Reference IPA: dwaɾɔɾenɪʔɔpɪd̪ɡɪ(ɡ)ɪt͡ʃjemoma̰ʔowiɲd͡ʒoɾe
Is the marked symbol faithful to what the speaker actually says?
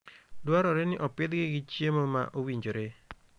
yes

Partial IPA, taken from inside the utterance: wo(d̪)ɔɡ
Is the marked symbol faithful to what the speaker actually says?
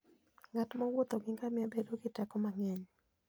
no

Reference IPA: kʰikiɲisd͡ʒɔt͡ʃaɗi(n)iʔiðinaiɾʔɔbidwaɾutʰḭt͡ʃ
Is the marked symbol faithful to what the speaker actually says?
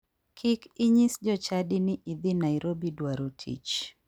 yes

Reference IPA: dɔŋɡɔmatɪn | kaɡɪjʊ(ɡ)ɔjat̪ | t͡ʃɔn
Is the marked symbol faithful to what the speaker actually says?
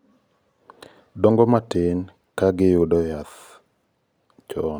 no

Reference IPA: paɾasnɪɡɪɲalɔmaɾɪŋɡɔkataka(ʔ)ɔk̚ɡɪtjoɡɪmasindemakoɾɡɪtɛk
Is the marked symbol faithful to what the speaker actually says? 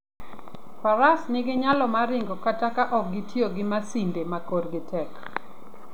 yes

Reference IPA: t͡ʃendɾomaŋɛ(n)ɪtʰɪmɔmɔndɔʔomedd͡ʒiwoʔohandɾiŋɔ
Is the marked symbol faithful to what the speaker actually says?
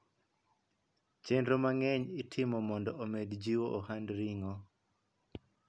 no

